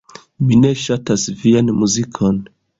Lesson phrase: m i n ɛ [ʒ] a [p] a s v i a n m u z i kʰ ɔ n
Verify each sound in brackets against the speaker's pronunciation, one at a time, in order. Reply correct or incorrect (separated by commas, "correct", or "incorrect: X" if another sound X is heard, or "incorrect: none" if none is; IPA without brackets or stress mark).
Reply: incorrect: ʃ, incorrect: t